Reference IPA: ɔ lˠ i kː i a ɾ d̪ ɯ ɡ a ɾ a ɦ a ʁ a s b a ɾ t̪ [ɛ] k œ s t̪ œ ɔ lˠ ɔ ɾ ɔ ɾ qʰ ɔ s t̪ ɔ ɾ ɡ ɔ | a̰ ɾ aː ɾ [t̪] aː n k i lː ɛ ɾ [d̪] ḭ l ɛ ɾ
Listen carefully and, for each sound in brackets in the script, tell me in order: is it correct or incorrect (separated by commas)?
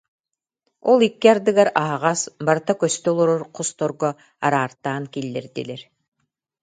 incorrect, correct, correct